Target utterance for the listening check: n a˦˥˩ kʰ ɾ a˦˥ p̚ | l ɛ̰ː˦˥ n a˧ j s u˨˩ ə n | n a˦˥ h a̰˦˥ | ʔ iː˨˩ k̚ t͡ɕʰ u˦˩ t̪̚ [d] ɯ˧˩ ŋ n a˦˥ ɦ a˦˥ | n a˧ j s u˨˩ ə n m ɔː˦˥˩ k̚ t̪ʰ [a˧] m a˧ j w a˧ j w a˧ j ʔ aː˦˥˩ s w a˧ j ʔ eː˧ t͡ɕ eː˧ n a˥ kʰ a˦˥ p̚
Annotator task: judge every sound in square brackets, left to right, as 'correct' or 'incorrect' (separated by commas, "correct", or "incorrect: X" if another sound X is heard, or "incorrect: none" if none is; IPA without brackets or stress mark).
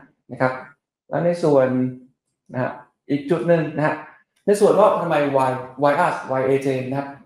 incorrect: n, correct